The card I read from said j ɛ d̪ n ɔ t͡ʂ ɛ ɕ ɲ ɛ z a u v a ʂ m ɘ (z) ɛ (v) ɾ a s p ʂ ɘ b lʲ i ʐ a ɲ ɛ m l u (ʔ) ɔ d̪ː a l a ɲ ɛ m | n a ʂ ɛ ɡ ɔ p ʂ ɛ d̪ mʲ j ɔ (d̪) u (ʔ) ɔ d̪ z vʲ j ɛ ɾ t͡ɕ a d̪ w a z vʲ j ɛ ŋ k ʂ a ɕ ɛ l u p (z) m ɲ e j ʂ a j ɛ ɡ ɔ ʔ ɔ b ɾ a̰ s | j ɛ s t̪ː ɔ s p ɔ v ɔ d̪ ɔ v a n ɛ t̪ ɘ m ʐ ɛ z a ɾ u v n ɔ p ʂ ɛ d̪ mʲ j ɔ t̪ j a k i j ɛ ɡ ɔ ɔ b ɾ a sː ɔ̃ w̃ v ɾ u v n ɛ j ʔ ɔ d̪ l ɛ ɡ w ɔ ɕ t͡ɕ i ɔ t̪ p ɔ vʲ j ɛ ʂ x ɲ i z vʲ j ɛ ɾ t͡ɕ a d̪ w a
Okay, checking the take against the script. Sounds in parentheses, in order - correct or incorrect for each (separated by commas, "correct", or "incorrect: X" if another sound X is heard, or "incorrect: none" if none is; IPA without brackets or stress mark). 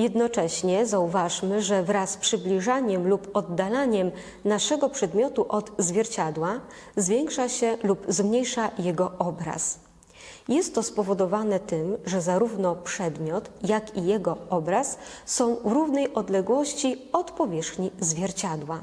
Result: incorrect: ʐ, correct, incorrect: p, incorrect: t̪, correct, correct